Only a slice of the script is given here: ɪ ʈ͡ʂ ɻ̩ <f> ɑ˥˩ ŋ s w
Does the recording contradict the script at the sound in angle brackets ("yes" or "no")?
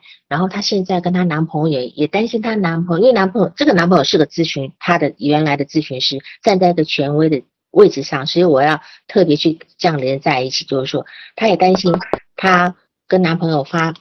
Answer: yes